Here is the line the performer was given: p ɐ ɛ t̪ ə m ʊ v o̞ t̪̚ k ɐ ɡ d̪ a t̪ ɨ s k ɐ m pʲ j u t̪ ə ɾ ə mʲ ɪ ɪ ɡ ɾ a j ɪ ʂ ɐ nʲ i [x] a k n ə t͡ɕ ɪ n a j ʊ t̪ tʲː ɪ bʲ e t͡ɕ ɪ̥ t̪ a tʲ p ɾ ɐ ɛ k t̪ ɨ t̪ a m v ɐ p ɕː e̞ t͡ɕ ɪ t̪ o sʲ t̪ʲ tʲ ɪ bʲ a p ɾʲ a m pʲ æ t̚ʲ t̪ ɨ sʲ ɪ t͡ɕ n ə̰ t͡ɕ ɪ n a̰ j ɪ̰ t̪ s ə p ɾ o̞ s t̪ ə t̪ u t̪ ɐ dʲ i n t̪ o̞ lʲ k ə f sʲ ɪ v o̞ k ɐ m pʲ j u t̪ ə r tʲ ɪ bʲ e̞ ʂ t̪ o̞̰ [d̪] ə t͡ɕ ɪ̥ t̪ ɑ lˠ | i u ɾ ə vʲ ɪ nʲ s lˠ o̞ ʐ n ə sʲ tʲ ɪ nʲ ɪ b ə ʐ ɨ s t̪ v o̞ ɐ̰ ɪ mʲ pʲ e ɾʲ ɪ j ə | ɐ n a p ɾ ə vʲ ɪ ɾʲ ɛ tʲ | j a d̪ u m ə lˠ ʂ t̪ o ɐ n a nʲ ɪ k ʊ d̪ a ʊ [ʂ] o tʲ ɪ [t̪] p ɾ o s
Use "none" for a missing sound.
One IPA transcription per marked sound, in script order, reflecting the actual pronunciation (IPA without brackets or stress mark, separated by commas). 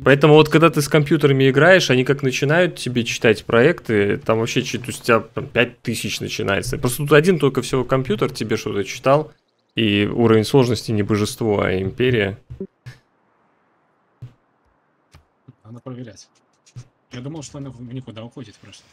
k, t̪, x, t̪